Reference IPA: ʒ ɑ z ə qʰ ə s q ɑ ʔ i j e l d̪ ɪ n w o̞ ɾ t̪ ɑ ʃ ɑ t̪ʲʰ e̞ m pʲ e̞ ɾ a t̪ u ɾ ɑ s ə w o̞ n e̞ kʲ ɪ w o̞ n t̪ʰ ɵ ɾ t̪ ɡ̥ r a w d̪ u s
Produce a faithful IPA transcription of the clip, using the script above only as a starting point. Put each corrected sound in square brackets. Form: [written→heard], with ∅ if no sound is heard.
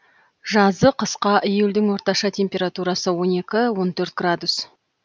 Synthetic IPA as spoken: ʒ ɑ z ə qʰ ə s q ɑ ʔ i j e l d̪ ɪ [n→ŋ] w o̞ ɾ t̪ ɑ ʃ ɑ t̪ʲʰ e̞ m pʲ e̞ ɾ a t̪ u ɾ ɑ s ə w o̞ n e̞ kʲ ɪ w o̞ n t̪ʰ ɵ ɾ t̪ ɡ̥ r a [w→∅] d̪ u s